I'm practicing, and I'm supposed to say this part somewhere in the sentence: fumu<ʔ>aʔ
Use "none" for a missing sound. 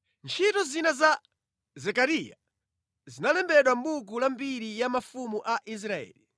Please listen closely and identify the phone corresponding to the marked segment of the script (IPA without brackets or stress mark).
ʔ